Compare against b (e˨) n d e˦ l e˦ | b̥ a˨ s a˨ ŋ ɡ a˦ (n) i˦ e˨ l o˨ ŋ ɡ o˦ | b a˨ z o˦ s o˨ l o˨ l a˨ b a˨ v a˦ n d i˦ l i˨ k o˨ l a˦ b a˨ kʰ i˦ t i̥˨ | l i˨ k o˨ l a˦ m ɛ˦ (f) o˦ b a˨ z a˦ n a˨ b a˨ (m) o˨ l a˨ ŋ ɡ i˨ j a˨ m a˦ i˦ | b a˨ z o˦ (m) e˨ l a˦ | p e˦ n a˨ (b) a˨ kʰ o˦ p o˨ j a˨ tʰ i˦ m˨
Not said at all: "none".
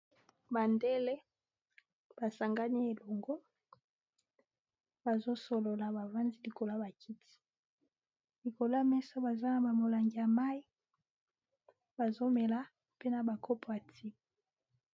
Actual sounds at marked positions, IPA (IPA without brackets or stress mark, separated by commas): a˨, n, s, m, m, b